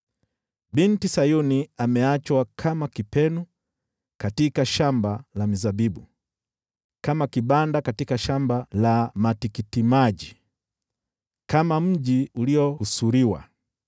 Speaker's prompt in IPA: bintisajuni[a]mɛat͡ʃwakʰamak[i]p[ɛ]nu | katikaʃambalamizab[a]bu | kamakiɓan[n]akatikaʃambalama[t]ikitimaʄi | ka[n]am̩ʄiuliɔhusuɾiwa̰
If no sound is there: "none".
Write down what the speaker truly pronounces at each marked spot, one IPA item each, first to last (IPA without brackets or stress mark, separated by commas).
a, i, ɛ, i, d, t, m